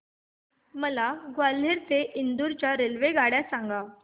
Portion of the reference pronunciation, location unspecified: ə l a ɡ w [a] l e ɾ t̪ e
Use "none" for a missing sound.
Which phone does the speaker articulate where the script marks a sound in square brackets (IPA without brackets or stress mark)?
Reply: a